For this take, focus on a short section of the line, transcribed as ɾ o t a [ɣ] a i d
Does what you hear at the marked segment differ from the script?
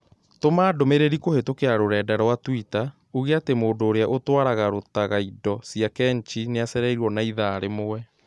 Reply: no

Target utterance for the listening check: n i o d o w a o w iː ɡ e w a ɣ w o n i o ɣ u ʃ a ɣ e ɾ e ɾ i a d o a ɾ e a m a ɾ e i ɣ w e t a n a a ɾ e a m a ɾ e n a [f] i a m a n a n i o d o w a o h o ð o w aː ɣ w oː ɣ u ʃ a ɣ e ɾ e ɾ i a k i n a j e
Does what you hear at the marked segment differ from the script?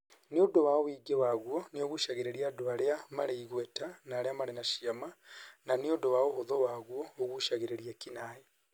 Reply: yes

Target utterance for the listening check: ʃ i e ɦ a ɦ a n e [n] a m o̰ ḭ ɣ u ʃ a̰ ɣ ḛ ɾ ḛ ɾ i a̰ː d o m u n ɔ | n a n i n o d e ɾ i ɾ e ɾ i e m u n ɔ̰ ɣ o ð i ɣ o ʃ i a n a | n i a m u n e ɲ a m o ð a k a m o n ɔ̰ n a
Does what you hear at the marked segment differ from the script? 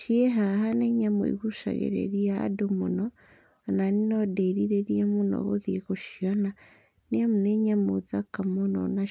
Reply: yes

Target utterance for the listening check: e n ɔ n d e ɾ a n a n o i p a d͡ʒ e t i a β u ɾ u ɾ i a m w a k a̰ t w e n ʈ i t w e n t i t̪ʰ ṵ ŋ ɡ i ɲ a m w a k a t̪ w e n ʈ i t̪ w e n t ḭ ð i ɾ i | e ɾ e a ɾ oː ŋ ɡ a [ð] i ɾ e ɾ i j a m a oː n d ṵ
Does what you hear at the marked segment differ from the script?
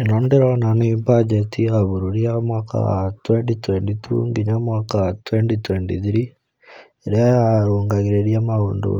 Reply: yes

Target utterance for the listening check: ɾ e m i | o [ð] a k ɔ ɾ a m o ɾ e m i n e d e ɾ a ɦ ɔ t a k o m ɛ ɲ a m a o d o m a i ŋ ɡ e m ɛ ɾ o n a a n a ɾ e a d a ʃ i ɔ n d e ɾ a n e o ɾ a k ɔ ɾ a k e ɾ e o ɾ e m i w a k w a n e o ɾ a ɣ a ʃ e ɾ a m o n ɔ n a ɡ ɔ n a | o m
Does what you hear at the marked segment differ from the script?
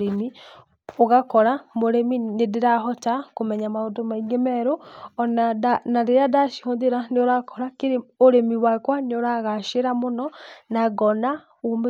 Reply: yes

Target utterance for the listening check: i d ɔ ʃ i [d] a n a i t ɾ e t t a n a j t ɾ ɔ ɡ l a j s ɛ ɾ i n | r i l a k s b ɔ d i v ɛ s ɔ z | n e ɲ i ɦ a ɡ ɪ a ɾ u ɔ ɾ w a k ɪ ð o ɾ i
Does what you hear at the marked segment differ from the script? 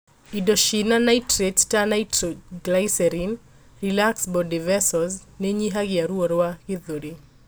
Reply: yes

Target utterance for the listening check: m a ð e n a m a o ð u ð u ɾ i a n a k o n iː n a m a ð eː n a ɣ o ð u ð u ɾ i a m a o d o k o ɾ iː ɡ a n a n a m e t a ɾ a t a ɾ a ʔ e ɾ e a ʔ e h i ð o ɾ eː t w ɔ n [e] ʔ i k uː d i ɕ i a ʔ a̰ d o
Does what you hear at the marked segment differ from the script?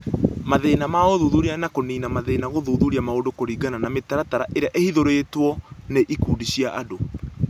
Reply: no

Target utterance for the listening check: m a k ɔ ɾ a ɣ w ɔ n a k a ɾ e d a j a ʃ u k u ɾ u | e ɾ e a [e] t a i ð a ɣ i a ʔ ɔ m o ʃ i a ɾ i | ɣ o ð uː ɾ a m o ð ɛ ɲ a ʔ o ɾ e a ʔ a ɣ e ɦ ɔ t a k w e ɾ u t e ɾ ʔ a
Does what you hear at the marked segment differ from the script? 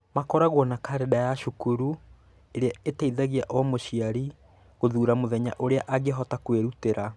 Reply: no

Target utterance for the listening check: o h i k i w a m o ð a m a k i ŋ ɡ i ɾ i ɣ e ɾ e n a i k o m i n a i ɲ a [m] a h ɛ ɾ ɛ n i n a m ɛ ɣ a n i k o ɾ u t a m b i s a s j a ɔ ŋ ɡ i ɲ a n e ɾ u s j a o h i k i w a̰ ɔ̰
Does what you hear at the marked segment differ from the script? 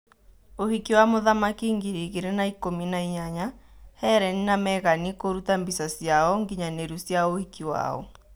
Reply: yes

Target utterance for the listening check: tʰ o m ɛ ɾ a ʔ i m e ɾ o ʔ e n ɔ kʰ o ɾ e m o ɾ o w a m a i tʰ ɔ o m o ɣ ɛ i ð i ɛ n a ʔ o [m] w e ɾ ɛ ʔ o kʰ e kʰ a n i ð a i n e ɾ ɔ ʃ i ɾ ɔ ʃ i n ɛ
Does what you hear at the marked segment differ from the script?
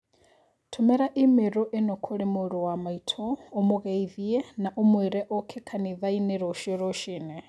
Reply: no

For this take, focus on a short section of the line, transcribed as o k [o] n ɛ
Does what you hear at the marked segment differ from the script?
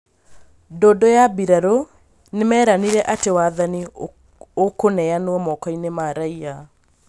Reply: no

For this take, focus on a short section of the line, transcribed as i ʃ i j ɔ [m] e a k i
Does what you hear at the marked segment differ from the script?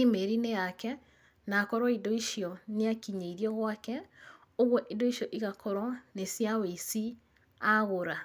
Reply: yes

